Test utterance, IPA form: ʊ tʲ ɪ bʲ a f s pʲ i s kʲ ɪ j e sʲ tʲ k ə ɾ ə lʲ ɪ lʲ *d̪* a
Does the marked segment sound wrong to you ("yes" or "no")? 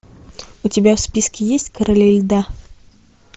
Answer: no